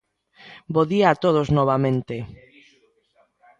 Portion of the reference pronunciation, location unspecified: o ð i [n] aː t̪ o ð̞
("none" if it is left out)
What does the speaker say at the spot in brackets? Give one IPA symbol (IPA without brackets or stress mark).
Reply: none